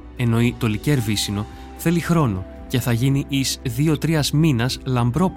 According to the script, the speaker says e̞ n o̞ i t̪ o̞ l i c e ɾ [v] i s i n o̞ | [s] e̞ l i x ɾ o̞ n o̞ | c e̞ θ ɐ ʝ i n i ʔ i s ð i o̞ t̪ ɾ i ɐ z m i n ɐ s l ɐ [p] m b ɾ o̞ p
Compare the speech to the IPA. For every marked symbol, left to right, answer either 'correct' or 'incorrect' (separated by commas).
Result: correct, incorrect, incorrect